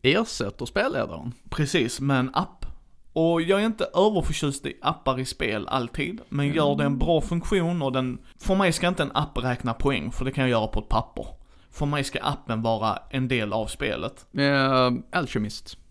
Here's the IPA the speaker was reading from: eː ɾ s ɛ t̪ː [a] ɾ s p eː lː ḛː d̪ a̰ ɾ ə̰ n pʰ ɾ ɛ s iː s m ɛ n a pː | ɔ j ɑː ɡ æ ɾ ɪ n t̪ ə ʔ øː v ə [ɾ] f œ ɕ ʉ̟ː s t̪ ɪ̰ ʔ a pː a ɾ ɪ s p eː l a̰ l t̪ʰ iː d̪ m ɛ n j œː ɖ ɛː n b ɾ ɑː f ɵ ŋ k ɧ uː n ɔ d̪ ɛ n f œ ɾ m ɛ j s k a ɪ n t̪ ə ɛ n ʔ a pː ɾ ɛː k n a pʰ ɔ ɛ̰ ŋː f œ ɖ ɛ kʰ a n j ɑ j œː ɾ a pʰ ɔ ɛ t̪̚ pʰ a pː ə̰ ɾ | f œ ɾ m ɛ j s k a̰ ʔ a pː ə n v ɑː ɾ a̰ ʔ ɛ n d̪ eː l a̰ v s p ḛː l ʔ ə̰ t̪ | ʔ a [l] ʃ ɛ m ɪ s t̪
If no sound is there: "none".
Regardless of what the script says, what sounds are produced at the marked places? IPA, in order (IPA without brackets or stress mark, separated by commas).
ə, ɾ, l